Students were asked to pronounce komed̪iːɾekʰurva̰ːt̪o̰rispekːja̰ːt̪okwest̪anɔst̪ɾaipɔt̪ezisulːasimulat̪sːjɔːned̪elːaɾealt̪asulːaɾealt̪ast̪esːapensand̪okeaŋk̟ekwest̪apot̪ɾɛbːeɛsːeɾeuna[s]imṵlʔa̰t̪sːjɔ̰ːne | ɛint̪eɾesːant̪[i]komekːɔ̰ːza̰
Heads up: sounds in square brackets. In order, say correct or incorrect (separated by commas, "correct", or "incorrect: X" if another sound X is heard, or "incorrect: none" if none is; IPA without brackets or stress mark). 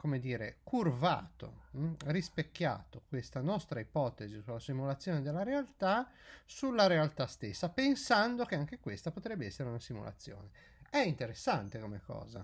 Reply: correct, incorrect: e